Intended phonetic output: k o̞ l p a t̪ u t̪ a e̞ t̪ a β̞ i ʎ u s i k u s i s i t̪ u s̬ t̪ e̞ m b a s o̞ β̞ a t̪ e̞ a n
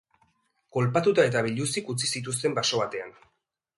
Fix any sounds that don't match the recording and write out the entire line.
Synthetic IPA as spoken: k o̞ l p a t̪ u t̪ a e̞ t̪ a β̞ i ʎ u s i k u t͡s i s i t̪ u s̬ t̪ e̞ m b a s o̞ β̞ a t̪ e̞ a n